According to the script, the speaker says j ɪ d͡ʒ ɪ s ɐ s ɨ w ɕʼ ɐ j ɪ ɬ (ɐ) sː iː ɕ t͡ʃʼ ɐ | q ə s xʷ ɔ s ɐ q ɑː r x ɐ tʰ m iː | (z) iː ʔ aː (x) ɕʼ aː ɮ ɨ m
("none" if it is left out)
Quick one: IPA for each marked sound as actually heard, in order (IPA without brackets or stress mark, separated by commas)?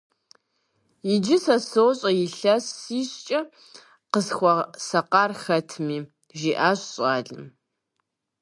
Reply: ɐ, ʒ, ɕ